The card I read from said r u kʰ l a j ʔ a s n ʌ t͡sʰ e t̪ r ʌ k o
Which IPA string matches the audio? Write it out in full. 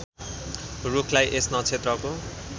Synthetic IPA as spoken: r u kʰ l a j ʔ e s n ʌ t͡sʰ e t̪ r ʌ k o